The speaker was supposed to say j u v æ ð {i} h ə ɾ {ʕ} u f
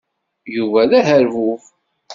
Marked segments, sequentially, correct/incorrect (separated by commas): incorrect, incorrect